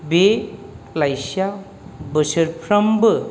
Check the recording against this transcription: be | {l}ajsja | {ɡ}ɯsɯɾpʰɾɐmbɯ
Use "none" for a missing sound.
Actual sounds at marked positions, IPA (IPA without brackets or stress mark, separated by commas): l, b